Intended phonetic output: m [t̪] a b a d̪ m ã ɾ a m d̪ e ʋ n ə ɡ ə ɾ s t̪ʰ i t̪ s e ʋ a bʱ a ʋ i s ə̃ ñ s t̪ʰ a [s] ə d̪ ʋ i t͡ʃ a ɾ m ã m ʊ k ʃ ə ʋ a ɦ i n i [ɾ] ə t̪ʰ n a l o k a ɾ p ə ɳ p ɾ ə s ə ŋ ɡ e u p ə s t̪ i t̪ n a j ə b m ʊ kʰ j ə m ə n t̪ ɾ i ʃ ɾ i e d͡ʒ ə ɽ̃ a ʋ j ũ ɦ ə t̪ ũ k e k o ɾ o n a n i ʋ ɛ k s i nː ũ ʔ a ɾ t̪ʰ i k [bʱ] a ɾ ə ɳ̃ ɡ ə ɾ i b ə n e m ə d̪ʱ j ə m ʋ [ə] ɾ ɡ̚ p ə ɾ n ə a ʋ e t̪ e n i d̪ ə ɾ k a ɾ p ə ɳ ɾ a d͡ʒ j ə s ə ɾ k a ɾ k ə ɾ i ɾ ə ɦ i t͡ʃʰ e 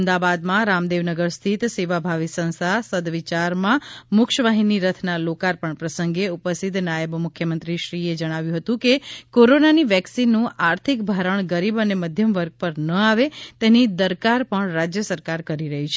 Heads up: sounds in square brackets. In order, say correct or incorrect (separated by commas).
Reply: incorrect, correct, correct, correct, correct